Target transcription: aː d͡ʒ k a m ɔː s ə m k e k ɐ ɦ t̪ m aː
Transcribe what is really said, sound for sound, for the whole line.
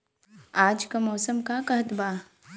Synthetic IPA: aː d͡ʒ k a m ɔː s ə m k a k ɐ ɦ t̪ b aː